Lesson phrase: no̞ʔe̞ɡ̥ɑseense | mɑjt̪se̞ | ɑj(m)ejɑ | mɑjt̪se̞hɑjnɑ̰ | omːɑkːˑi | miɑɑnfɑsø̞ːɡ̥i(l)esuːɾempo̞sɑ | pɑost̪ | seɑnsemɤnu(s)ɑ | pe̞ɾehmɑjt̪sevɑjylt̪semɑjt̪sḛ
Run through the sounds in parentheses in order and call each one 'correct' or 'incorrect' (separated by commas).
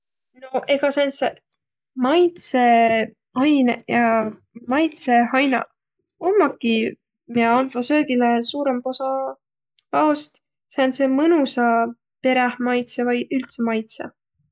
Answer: incorrect, correct, correct